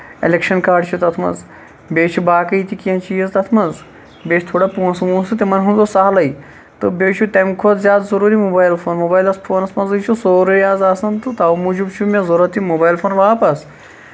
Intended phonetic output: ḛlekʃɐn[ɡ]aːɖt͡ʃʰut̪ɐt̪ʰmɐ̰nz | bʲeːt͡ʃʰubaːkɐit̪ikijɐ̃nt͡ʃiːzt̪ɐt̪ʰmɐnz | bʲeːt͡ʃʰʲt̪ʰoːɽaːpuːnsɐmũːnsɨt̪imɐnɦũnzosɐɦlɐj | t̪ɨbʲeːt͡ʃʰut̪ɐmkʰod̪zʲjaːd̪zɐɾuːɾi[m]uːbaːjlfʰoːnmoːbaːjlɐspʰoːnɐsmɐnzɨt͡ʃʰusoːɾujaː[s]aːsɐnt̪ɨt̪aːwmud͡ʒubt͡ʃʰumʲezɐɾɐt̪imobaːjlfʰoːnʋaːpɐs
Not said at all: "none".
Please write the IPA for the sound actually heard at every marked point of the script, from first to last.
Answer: k, m, z

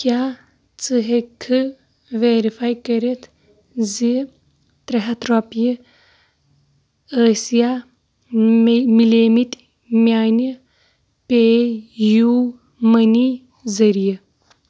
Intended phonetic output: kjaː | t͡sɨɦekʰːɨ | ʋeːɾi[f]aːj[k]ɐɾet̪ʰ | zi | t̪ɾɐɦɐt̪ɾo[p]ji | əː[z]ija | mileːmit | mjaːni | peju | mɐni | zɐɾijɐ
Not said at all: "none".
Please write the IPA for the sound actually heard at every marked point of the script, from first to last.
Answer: f, k, p, s

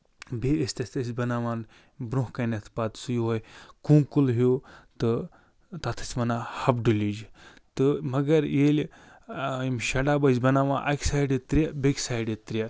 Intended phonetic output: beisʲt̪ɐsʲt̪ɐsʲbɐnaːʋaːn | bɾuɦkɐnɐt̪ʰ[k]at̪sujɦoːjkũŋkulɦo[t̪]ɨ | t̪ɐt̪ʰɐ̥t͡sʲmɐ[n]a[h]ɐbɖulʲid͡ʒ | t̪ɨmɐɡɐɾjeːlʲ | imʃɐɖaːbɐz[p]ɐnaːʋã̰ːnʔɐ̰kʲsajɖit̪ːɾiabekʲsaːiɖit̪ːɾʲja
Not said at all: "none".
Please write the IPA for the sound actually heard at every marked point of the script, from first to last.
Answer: p, t̪, n, h, b

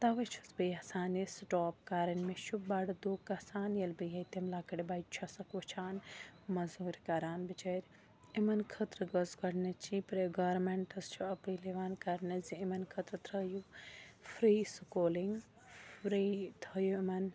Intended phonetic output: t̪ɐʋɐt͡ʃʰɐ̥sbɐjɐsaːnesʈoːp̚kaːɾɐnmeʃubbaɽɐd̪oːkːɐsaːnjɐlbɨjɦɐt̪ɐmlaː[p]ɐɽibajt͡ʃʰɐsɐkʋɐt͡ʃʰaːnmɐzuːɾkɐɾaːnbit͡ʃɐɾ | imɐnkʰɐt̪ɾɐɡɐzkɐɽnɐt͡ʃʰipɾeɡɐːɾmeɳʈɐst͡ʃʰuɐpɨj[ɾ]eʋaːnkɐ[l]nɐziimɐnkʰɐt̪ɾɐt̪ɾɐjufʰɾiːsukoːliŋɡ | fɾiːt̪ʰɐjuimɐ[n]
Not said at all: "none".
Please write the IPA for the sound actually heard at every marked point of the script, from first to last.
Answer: k, l, ɾ, n

